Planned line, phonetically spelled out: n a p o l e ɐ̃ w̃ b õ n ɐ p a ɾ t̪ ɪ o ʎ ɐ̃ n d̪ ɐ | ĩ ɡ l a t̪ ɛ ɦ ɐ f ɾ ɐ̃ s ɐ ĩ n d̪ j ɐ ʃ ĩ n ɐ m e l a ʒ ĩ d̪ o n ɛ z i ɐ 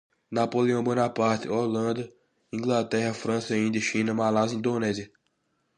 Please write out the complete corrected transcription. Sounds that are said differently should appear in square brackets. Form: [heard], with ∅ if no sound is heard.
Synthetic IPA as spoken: n a p o l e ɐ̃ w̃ b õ n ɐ p a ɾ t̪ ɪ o [l] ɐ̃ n d̪ ɐ | ĩ ɡ l a t̪ ɛ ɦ ɐ f ɾ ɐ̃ s ɐ ĩ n d̪ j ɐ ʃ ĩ n ɐ m [a] l a [z] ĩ d̪ o n ɛ z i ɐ